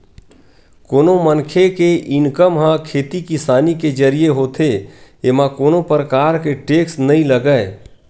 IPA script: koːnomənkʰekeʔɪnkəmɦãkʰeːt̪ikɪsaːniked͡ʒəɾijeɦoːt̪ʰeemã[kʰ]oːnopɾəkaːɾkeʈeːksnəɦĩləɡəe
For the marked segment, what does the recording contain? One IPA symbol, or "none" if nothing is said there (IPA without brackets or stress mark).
k